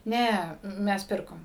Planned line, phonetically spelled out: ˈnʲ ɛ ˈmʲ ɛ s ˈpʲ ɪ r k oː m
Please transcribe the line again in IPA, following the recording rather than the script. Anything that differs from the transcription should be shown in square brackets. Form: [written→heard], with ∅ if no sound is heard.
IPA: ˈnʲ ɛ ˈmʲ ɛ s ˈpʲ ɪ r k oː m